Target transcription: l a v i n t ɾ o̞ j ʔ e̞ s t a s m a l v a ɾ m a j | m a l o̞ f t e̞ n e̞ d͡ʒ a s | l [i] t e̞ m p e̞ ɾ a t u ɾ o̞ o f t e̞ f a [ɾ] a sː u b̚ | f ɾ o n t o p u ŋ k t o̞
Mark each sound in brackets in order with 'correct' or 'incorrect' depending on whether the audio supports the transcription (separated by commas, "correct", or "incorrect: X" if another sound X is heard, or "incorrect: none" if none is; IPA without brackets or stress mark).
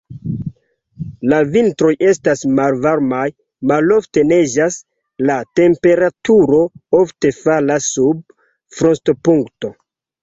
incorrect: a, incorrect: l